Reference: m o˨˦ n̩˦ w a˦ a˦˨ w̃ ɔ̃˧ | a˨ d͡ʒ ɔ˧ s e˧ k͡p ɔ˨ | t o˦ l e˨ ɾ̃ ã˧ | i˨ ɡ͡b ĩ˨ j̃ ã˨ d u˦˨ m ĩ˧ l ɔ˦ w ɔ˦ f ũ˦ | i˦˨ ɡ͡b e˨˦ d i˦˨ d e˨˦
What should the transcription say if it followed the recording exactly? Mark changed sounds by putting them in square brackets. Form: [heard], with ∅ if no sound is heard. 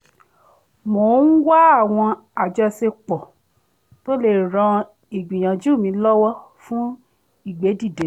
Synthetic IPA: m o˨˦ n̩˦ w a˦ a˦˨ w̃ ɔ̃˧ | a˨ d͡ʒ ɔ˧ s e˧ k͡p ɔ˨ | t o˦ l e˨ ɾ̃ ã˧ | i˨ ɡ͡b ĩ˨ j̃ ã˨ [d͡ʒ] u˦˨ m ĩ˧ l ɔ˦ w ɔ˦ f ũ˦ | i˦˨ ɡ͡b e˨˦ d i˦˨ d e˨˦